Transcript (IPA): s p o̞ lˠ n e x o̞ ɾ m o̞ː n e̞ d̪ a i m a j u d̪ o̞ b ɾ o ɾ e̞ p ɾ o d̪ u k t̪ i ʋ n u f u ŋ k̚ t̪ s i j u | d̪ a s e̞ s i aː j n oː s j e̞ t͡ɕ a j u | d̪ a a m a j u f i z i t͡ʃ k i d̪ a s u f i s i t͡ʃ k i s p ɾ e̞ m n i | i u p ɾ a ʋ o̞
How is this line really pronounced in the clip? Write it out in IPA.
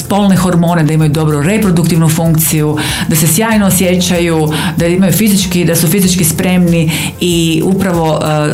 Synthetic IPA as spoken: s p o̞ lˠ n e x o̞ ɾ m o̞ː n e̞ d̪ a i m a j u d̪ o̞ b ɾ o ɾ e̞ p ɾ o d̪ u k t̪ i ʋ n u f u ŋ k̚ t̪ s i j u | d̪ a s e̞ s j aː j n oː s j e̞ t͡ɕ a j u | d̪ a i m a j u f i z i t͡ʃ k i d̪ a s u f i z i t͡ʃ k i s p ɾ e̞ m n i | i u p ɾ a ʋ o̞